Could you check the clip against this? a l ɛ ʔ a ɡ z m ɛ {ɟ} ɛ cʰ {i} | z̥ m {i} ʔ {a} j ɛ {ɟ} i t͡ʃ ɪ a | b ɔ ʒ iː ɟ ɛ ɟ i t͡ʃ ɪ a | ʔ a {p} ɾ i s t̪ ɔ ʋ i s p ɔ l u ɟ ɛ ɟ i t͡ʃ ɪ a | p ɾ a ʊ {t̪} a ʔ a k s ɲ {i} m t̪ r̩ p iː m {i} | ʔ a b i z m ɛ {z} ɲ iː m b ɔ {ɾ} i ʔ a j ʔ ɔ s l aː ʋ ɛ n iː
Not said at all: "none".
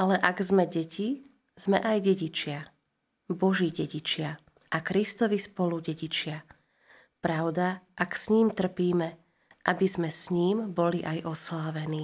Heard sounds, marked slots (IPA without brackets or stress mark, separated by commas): ɟ, i, ɛ, a, ɟ, k, d̪, iː, ɛ, s, l